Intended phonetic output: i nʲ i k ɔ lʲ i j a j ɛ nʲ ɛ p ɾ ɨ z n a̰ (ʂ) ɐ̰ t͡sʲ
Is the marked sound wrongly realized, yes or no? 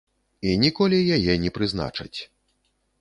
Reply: yes